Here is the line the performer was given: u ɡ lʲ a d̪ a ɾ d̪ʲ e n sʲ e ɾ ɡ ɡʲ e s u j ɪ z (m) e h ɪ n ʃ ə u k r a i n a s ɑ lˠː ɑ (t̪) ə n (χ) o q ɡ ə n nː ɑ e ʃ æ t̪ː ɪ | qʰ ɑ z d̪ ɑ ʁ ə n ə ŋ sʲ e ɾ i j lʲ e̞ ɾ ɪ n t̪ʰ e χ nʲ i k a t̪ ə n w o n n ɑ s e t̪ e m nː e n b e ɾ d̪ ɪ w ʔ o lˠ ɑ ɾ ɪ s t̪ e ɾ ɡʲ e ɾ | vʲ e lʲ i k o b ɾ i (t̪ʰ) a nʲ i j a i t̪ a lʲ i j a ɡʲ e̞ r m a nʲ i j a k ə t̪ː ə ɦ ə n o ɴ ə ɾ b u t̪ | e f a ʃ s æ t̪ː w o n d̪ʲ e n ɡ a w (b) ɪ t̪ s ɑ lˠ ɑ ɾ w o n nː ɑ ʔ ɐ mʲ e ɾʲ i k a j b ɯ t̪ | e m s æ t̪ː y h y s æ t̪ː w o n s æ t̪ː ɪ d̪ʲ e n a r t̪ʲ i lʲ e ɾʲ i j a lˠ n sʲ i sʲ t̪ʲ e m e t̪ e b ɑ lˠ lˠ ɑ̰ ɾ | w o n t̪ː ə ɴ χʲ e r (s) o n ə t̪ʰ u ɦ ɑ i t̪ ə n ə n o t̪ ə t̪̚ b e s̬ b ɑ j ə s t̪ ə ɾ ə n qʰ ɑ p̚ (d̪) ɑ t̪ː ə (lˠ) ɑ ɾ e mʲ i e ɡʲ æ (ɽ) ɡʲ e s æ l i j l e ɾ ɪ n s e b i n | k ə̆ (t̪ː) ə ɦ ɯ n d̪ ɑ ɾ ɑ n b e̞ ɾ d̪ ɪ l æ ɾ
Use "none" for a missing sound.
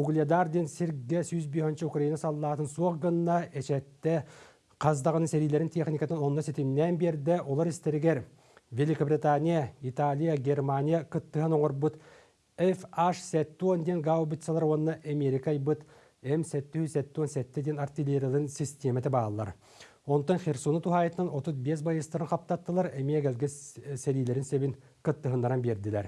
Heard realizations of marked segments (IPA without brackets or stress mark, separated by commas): b, t̪, s, t̪, b, s, t̪, lˠ, l, t̪ː